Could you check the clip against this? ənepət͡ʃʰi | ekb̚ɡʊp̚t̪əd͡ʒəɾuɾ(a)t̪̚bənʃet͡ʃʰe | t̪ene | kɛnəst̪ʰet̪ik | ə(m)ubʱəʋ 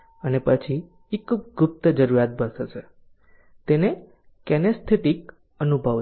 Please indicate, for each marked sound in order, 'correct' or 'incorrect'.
correct, incorrect

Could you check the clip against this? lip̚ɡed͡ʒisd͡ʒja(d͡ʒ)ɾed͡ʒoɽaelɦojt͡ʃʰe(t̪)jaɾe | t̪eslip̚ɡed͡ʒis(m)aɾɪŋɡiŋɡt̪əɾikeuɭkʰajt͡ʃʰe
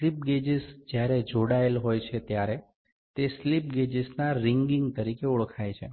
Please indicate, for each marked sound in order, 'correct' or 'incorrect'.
incorrect, correct, incorrect

